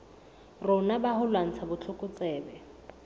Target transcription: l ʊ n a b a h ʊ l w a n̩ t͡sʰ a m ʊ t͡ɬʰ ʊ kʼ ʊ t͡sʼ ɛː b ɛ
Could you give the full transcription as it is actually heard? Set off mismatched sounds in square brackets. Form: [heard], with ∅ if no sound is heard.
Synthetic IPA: [r] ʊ n a b a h ʊ l w a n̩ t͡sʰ a [b] ʊ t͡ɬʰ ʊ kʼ ʊ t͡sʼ ɛː b ɛ